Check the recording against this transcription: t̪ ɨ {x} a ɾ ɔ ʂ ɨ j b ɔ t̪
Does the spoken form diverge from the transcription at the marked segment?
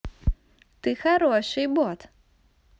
no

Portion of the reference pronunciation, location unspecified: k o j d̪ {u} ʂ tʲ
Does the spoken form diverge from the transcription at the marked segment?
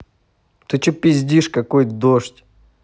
yes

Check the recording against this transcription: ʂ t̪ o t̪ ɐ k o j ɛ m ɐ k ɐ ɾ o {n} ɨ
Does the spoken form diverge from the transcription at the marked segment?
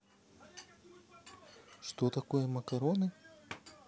no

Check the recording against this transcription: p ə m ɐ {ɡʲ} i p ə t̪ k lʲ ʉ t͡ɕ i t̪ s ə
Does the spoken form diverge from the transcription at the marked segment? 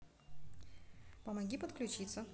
no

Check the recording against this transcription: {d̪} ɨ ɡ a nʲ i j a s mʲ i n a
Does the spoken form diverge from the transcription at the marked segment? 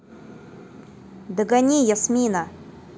no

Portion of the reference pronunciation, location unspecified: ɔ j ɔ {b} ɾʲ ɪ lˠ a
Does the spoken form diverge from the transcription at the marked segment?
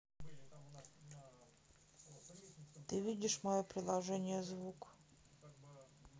yes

